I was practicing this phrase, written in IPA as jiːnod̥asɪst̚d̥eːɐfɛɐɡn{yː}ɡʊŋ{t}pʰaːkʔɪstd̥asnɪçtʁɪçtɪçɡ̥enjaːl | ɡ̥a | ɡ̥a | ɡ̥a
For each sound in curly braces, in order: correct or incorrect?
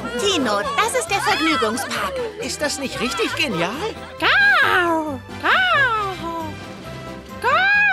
correct, incorrect: s

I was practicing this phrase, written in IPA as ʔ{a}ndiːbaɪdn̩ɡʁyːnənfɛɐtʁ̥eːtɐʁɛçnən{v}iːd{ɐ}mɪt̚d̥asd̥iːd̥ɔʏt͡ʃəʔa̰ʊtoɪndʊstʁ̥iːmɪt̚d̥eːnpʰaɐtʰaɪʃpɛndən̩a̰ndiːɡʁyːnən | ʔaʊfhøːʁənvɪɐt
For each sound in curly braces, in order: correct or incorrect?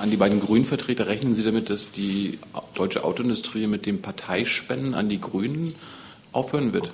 correct, incorrect: z, incorrect: a

